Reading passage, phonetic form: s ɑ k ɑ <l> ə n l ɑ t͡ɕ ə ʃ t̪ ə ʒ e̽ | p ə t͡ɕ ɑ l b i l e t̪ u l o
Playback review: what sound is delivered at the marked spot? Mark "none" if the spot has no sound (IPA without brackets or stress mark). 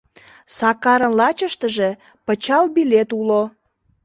ɾ